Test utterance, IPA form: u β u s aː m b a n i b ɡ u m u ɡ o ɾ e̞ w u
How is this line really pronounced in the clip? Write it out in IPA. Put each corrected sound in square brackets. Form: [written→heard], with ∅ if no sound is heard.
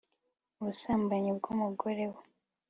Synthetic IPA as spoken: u β u s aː m b a [n→ɲ] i b ɡ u m u ɡ o ɾ e̞ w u